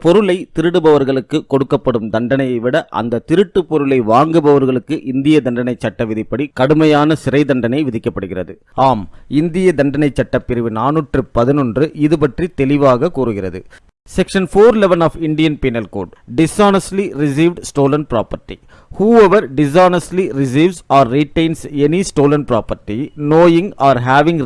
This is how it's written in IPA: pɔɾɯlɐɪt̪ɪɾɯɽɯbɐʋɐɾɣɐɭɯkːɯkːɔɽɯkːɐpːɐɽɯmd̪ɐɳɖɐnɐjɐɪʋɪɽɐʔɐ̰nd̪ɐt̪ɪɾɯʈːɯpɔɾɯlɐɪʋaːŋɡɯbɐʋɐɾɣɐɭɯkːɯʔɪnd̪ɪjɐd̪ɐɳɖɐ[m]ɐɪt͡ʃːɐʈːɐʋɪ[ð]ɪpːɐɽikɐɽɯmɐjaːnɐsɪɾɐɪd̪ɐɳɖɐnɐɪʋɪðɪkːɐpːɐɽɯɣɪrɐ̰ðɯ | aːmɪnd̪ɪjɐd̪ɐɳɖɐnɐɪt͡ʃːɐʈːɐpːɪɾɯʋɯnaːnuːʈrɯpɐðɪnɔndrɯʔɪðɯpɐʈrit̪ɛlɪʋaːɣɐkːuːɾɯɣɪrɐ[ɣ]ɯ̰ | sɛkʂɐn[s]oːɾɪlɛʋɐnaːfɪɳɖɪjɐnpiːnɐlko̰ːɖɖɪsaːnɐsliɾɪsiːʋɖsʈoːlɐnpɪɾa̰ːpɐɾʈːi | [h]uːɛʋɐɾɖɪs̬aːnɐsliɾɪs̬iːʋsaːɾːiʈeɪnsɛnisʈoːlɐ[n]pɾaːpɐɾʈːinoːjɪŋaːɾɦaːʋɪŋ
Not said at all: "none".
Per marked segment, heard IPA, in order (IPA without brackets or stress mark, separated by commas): n, ð, ð, f, h, n